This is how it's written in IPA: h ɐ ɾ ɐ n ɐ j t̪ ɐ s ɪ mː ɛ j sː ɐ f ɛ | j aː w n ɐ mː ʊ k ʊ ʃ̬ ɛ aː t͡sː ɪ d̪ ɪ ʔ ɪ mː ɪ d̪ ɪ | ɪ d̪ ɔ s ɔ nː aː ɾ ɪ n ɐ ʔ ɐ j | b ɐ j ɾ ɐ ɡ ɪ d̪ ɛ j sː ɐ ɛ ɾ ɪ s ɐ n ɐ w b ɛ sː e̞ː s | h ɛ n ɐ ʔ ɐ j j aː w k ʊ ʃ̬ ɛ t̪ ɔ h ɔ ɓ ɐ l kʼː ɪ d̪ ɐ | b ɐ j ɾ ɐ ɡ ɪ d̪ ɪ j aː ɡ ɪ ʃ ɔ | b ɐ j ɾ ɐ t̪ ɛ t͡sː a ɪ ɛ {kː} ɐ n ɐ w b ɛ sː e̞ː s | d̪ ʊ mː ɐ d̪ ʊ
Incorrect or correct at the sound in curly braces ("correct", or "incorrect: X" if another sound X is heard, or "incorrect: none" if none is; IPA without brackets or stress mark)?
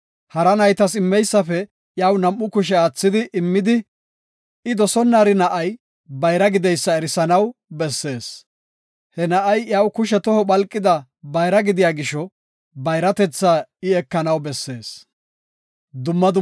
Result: correct